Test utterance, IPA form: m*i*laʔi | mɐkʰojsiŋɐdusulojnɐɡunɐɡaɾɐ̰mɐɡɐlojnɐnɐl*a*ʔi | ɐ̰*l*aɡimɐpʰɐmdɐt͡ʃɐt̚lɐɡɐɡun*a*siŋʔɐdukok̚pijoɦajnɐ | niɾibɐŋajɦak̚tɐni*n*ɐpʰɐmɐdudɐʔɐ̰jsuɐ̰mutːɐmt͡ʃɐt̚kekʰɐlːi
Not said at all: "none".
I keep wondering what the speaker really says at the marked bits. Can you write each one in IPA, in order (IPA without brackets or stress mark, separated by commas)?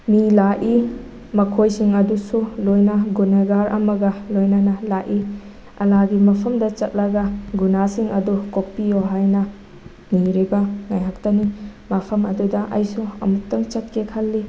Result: i, a, l, a, m